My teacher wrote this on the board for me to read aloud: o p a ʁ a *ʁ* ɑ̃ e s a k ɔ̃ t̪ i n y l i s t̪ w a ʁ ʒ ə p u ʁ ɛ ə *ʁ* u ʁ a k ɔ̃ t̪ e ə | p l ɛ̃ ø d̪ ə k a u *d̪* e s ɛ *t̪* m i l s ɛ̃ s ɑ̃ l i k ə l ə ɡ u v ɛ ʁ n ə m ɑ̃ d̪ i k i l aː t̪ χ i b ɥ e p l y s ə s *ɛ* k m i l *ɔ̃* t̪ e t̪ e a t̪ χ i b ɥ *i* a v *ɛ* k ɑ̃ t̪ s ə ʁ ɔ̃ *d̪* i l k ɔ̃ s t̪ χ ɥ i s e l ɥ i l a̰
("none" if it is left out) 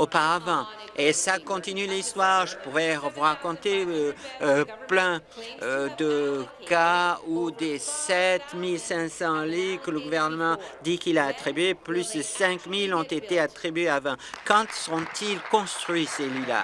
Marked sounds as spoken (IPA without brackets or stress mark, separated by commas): v, v, d̪, t̪, ɛ̃, ɔ̃, e, ɛ̃, t̪